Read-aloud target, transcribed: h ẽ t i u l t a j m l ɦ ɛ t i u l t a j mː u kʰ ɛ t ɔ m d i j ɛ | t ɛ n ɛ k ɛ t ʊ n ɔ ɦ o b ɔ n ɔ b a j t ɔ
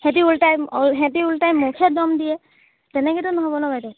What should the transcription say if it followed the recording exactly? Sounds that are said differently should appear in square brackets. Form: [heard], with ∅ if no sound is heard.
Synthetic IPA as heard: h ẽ t i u l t a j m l ɦ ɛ t i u l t a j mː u kʰ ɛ [d] ɔ m d i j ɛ | t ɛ n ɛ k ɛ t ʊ n ɔ ɦ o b ɔ n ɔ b a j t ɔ